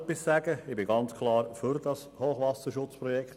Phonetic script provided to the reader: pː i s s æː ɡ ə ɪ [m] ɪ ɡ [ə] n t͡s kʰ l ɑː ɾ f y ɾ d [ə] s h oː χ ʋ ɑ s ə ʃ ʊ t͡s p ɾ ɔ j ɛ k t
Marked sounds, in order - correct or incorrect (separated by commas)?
incorrect, incorrect, incorrect